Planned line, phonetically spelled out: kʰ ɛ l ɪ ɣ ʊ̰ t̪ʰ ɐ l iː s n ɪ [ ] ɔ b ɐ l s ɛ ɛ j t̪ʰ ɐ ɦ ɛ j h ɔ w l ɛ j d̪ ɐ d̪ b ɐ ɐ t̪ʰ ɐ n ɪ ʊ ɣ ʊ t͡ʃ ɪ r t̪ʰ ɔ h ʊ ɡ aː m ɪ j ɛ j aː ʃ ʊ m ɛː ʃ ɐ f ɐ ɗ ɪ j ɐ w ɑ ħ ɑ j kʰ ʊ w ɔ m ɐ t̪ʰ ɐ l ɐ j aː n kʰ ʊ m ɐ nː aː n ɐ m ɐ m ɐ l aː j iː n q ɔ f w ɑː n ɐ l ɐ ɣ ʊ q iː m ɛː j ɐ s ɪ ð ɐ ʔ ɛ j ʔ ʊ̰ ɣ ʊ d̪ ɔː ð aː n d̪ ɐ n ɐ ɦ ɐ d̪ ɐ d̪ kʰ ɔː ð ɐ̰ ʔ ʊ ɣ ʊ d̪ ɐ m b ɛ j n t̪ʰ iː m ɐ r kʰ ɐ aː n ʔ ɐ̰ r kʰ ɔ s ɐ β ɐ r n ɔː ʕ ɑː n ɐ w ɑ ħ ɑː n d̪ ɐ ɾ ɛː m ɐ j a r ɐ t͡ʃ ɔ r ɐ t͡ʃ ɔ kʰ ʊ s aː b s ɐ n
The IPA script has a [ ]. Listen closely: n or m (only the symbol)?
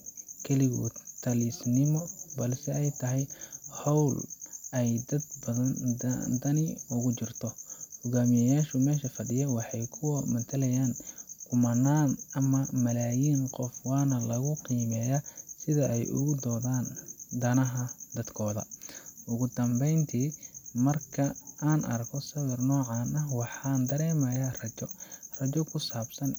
m